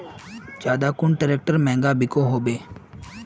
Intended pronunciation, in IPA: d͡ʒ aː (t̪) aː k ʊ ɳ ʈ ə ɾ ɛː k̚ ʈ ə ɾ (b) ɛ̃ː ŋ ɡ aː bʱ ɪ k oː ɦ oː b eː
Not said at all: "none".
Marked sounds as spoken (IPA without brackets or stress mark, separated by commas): d̪, m